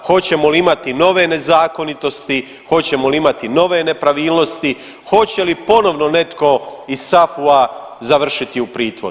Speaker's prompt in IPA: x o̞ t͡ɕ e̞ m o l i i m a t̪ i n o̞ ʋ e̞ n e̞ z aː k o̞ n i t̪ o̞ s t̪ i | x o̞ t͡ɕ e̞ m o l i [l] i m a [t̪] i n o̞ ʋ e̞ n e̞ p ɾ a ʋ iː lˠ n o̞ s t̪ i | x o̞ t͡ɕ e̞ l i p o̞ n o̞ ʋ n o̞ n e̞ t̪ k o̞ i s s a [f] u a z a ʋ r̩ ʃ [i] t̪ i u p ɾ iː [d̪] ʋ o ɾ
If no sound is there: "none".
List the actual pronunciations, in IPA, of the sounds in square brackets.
none, t̪, f, i, t̪

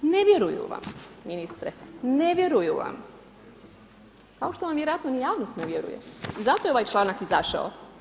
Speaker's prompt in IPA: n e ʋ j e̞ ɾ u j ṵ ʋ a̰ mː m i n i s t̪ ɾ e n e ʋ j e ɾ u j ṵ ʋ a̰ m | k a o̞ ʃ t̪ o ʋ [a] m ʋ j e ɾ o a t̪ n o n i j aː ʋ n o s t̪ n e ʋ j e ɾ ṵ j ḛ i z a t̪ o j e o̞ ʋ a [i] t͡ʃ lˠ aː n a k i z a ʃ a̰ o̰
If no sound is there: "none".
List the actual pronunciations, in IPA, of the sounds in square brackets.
a, j

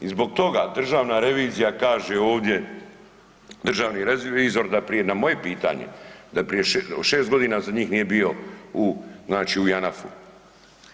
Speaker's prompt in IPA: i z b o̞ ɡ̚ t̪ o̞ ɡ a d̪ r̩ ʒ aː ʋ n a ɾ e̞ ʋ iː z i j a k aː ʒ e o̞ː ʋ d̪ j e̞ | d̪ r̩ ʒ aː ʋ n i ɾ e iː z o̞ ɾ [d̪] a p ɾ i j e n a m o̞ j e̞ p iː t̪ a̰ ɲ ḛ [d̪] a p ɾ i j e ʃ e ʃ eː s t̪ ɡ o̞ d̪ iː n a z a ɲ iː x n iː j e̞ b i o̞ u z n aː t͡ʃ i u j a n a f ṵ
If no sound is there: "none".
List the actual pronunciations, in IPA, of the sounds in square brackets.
d̪, d̪

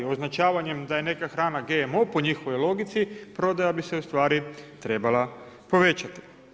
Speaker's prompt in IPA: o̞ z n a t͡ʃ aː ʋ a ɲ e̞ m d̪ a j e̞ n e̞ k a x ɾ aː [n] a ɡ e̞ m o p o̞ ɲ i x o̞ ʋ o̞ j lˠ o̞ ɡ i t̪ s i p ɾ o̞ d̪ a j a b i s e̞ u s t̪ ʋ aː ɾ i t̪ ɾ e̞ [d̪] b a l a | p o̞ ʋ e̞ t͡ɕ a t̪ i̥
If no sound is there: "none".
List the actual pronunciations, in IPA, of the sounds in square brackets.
n, none

